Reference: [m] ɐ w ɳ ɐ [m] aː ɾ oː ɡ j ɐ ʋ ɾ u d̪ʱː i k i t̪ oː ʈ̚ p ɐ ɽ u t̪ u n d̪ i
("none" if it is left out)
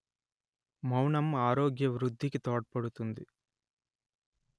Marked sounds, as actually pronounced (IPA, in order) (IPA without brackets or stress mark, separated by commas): m, m